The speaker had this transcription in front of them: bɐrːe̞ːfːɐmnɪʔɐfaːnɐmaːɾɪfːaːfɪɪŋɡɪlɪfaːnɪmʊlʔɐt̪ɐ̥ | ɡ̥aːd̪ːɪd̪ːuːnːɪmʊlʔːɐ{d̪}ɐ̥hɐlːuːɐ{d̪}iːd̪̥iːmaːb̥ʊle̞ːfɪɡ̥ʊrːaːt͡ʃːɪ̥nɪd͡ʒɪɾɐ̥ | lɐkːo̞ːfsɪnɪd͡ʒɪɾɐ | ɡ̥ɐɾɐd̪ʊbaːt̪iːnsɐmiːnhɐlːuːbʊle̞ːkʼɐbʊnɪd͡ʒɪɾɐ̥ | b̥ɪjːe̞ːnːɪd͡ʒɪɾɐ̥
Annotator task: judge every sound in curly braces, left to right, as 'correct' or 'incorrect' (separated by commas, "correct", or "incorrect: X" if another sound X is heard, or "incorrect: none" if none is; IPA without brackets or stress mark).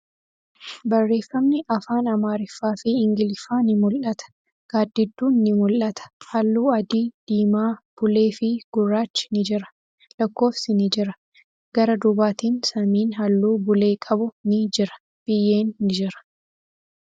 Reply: incorrect: t̪, correct